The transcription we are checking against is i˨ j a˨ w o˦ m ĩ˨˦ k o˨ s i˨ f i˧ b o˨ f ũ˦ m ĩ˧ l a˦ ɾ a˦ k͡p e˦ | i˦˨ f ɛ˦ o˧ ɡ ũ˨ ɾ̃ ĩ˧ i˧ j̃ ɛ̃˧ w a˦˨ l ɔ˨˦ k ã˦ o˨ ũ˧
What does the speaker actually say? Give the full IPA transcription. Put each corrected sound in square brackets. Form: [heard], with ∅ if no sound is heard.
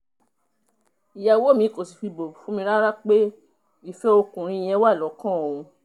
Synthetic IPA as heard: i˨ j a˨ w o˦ m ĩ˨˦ k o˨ s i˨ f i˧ b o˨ f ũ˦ m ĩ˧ [ɾ] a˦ ɾ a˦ k͡p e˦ | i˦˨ f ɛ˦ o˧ [k] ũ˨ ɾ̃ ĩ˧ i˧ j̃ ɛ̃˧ w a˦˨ l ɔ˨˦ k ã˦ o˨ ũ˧